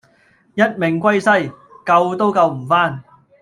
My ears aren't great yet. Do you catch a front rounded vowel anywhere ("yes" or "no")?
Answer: no